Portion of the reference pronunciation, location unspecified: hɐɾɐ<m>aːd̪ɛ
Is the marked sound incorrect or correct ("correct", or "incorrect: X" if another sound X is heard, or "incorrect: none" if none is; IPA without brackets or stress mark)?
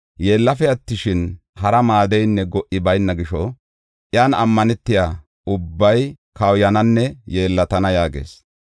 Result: correct